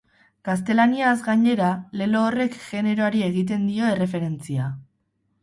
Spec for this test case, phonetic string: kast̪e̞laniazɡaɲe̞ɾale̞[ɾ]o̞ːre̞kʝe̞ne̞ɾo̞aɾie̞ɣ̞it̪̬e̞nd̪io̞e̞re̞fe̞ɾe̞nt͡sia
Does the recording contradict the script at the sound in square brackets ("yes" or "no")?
yes